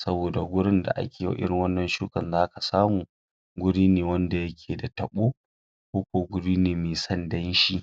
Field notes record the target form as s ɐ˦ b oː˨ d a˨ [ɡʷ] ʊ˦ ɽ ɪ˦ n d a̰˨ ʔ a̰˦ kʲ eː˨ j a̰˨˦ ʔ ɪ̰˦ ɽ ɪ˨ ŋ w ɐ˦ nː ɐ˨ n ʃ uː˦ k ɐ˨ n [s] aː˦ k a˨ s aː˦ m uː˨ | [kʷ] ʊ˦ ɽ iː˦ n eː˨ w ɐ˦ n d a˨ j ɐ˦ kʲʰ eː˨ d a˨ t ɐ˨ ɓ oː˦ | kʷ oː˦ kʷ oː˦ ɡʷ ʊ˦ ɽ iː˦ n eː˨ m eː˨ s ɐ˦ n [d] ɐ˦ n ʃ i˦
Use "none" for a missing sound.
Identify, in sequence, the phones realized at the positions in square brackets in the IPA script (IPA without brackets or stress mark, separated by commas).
ɡʷ, z, ɡʷ, d